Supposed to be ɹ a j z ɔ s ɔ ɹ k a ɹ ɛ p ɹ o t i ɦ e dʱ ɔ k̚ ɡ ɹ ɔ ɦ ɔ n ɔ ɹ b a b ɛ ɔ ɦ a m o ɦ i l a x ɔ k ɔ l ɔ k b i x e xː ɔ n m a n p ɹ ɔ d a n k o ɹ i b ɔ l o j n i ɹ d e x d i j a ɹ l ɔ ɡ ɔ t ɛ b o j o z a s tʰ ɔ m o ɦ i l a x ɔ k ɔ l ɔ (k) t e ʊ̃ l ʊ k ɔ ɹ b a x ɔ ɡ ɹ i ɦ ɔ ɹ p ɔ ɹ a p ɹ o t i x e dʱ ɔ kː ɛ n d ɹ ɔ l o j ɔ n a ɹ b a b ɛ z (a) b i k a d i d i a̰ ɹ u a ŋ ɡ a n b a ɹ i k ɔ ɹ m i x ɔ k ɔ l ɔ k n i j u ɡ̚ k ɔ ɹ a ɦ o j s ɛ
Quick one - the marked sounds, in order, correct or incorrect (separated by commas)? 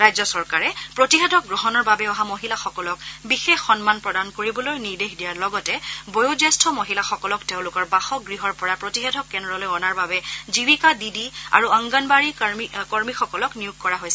correct, incorrect